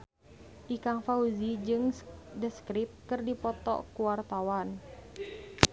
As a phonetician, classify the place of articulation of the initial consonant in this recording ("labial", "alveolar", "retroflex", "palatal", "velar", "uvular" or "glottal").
glottal